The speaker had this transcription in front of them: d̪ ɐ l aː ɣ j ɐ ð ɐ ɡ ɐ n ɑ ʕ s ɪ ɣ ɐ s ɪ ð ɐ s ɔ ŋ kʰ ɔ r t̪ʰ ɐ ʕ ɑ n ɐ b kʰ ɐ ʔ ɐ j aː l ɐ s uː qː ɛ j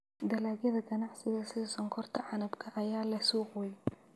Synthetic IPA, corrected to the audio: d̪ ɐ l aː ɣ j ɐ ð ɐ ɡ ɐ n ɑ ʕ s ɪ ɣ ɐ s ɪ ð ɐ s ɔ ŋ kʰ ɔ r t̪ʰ ɐ ʕ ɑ n ɐ b kʰ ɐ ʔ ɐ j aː l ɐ s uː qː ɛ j